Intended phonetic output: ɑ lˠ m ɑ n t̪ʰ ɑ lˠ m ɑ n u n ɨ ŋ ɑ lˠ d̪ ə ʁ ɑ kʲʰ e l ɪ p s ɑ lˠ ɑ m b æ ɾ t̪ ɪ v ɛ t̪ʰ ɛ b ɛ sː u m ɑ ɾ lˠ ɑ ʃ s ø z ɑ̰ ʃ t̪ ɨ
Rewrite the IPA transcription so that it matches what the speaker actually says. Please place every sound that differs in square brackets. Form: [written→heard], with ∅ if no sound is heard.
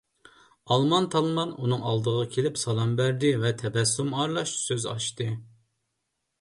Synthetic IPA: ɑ lˠ m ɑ n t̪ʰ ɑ lˠ m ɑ n u n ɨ ŋ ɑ lˠ d̪ ə ʁ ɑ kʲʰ e l ɪ p s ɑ lˠ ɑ m b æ ɾ [t̪→d̪] ɪ v ɛ t̪ʰ ɛ b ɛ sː u m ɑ ɾ lˠ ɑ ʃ s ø z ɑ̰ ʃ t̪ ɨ